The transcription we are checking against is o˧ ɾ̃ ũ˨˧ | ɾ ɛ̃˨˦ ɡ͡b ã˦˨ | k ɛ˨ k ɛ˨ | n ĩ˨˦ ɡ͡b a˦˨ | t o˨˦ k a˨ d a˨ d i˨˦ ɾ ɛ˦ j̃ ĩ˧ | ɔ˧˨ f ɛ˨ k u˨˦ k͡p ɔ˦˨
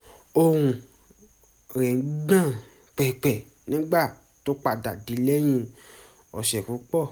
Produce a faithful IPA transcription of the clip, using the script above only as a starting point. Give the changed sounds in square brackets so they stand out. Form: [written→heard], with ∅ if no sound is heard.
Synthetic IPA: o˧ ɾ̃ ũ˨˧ | ɾ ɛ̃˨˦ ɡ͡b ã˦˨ | [k→k͡p] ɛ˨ [k→k͡p] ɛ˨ | n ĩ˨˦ ɡ͡b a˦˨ | t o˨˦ [k→k͡p] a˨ d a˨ d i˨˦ [ɾ→l] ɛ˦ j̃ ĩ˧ | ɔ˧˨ [f→ʃ] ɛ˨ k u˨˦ k͡p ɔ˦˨